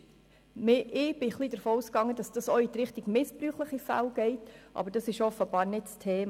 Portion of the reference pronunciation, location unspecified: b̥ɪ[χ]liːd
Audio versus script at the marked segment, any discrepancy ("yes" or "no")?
no